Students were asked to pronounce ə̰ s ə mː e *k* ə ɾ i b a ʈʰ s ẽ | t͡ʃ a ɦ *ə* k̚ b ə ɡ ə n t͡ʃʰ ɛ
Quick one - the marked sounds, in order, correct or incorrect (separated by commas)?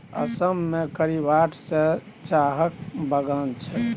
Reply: correct, correct